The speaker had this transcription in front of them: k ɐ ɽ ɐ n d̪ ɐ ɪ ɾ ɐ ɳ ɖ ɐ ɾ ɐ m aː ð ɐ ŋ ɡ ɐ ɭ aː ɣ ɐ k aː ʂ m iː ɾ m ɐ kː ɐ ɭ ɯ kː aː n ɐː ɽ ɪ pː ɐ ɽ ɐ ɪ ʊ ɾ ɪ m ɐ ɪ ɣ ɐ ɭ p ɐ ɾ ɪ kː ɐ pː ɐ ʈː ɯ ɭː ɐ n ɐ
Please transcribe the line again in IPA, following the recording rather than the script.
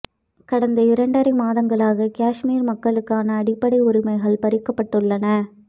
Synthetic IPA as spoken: k ɐ ɽ ɐ n d̪ ɐ ɪ ɾ ɐ ɳ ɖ ɐ ɾ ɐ m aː ð ɐ ŋ ɡ ɐ ɭ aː ɣ ɐ k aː ʂ m iː ɾ m ɐ kː ɐ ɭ ɯ kː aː n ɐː ɽ ɪ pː ɐ ɽ ɐ ɪ ʊ ɾ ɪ m ɐ ɪ ɣ ɐ ɭ p ɐ ɾ ɪ kː ɐ pː ɐ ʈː ɯ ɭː ɐ n ɐ

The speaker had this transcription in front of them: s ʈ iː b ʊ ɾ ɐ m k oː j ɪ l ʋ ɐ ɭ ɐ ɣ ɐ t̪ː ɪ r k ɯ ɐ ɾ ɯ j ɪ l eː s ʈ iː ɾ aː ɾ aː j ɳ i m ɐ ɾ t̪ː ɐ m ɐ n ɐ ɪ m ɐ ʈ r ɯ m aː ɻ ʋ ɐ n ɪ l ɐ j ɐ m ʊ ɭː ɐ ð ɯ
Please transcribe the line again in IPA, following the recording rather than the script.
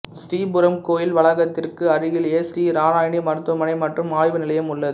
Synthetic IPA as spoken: s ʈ iː b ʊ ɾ ɐ m k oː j ɪ l ʋ ɐ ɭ ɐ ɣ ɐ t̪ː ɪ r k ɯ ɐ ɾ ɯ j ɪ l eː s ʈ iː ɾ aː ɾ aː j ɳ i m ɐ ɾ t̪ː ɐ m ɐ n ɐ ɪ m ɐ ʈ r ɯ m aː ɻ ʋ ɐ n ɪ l ɐ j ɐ m ʊ ɭː ɐ ð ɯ

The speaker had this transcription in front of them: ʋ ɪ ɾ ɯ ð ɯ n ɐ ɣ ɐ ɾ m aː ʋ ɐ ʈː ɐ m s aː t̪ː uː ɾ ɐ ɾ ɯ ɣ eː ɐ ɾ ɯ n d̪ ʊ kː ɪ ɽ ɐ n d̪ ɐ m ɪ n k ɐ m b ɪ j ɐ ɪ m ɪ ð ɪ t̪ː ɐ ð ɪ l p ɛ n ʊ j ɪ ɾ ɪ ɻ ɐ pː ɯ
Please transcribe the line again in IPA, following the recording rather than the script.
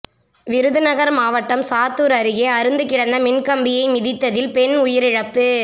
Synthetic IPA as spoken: ʋ ɪ ɾ ɯ ð ɯ n ɐ ɣ ɐ ɾ m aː ʋ ɐ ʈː ɐ m s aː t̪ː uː ɾ ɐ ɾ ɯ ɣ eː ɐ ɾ ɯ n d̪ ɯ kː ɪ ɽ ɐ n d̪ ɐ m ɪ n k ɐ m b ɪ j ɐ ɪ m ɪ ð ɪ t̪ː ɐ ð ɪ l p ɛ n ʊ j ɪ ɾ ɪ ɻ ɐ pː ɯ

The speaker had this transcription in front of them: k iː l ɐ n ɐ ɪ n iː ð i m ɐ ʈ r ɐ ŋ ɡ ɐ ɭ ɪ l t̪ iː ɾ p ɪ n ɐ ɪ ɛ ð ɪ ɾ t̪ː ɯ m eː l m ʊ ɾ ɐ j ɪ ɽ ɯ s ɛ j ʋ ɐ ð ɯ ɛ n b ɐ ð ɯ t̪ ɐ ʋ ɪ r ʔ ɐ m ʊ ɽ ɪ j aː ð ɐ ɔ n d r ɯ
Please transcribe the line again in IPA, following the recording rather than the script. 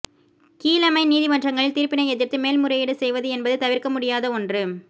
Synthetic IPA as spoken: k iː l ɐ m ɐ ɪ n iː ð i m ɐ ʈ r ɐ ŋ ɡ ɐ ɭ ɪ l t̪ iː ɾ p ɪ n ɐ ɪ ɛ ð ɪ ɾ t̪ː ɯ m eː l m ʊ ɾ ɐ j ɪ ɽ ɯ s ɛ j ʋ ɐ ð ɯ ɛ n b ɐ ð ɯ t̪ ɐ ʋ ɪ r k ɐ m ʊ ɽ ɪ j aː ð ɐ ɔ n d r ɯ

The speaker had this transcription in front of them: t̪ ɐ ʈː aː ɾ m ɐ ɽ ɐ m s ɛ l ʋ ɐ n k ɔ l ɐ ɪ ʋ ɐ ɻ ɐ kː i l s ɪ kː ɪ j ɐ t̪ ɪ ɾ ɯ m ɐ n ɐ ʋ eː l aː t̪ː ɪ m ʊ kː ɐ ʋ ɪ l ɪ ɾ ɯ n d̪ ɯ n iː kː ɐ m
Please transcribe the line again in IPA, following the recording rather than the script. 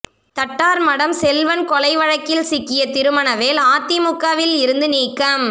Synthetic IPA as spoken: t̪ ɐ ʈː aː ɾ m ɐ ɽ ɐ m s ɛ l ʋ ɐ n k ɔ l ɐ ɪ ʋ ɐ ɻ ɐ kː ɪ l s ɪ kː ɪ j ɐ t̪ ɪ ɾ ɯ m ɐ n ɐ ʋ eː l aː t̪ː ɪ m ʊ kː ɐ ʋ ɪ l ɪ ɾ ɯ n d̪ ɯ n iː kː ɐ m

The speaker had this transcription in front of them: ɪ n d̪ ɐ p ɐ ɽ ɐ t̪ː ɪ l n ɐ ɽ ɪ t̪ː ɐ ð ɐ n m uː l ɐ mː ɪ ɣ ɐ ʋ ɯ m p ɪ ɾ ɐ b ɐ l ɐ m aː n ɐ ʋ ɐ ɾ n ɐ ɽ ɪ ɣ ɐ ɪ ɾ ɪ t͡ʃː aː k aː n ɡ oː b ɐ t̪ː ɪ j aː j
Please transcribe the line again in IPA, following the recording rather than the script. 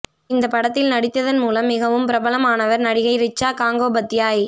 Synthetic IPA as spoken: ɪ n d̪ ɐ p ɐ ɽ ɐ t̪ː ɪ l n ɐ ɽ ɪ t̪ː ɐ ð ɐ n m uː l ɐ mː ɪ ɣ ɐ ʋ ɯ m p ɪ ɾ ɐ b ɐ l ɐ m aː n ɐ ʋ ɐ ɾ n ɐ ɽ ɪ ɣ ɐ ɪ ɾ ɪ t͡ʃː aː k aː ŋ ɡ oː b ɐ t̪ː ɪ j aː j

